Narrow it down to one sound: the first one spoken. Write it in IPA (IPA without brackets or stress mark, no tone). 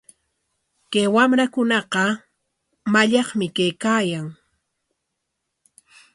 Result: k